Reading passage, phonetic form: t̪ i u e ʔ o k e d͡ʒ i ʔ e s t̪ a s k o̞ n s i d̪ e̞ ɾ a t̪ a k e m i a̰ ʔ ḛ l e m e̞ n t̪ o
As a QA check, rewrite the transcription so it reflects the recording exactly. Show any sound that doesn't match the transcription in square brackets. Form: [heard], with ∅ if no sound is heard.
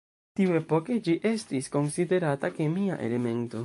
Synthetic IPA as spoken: t̪ i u e [p] o k e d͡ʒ i ʔ e s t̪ [i] s k o̞ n s i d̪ e̞ ɾ a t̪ a k e m i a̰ ʔ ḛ l e m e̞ n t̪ o

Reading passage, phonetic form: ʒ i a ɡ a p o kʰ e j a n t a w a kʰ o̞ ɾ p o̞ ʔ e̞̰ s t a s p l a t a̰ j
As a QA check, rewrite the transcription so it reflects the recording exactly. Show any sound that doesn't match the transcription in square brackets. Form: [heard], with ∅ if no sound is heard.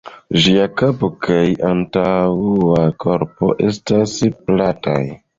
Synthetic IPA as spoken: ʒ i a [k] a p o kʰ [a] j a n t a w a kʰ o̞ ɾ p o̞ ʔ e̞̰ s t a s p l a t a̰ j

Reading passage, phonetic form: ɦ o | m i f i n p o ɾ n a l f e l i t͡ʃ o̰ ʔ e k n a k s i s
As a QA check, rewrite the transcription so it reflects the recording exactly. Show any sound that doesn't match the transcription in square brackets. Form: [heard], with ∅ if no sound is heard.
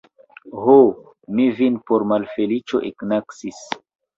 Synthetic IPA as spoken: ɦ o | m i [v] i n p o ɾ [m] a l f e l i t͡ʃ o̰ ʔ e k n a k s i s

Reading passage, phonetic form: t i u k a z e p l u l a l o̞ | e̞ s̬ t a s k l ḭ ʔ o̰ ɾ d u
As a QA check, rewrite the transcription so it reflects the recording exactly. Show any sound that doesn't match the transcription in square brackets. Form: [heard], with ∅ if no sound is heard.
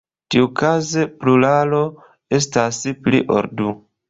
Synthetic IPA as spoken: t i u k a z e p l u l a l o̞ | e̞ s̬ t a s [p] l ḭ ʔ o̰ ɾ d u

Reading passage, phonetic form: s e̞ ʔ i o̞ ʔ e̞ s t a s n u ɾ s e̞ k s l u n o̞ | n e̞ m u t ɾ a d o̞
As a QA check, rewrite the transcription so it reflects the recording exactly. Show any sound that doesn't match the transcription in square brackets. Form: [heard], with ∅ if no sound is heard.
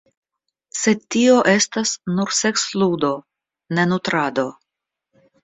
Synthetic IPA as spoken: s e̞ [t] i o̞ ʔ e̞ s t a s n u ɾ s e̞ k s l u [d] o̞ | n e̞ [n] u t ɾ a d o̞

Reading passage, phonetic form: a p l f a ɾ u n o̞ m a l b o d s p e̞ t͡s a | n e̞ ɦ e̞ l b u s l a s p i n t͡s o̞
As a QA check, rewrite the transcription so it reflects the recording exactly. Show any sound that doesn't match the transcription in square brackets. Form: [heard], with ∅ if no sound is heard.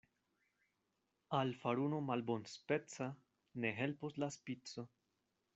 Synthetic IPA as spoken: a [∅] l f a ɾ u n o̞ m a l b o [n] s p e̞ t͡s a | n e̞ ɦ e̞ l [p] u s l a s p i [∅] t͡s o̞

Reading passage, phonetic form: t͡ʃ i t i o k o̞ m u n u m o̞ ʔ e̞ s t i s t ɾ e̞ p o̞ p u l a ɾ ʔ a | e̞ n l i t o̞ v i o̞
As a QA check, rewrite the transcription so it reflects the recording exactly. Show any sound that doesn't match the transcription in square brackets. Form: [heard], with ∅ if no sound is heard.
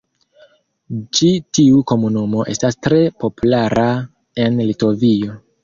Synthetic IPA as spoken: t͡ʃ i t i [u] k o̞ m u n u m o̞ ʔ e̞ s t [a] s t ɾ e̞ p o̞ p u l a ɾ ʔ a | e̞ n l i t o̞ v i o̞

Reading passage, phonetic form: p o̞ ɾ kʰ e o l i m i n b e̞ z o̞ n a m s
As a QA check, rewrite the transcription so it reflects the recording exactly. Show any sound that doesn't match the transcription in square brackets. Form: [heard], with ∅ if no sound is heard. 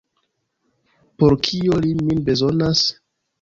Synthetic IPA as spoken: p o̞ ɾ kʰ [i] o l i m i n b e̞ z o̞ n a [∅] s

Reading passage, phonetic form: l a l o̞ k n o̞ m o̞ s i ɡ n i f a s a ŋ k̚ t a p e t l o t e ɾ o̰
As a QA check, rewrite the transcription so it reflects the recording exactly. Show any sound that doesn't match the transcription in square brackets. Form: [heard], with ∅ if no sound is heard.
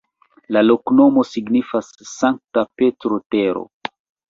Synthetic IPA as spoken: l a l o̞ k n o̞ m o̞ s i ɡ n i f a [sː] a ŋ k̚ t a p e t [ɾ] o t e ɾ o̰

